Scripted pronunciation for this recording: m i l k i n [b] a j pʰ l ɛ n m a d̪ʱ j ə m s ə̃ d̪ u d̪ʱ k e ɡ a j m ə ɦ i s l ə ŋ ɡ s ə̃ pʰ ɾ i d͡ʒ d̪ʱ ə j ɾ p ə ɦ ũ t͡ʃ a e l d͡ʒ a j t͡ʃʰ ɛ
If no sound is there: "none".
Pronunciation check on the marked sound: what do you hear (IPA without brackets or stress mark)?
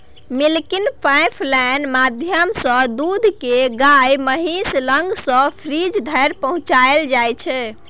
p